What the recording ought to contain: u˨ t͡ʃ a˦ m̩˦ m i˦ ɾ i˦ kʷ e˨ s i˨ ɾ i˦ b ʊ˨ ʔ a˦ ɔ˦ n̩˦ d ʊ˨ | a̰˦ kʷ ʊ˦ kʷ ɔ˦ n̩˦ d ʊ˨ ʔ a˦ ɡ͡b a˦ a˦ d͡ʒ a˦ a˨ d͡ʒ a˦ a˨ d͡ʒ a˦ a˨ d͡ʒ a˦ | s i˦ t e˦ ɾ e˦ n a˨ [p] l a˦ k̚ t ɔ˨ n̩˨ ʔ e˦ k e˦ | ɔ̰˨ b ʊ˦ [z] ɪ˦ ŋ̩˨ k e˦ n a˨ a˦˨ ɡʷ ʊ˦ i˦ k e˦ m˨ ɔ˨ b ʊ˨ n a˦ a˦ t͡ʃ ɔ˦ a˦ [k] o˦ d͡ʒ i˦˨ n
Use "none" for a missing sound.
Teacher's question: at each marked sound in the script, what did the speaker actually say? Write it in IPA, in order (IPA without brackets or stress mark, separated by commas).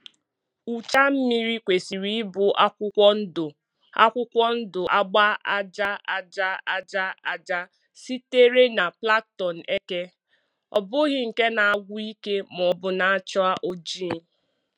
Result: p, ɣ, ʔ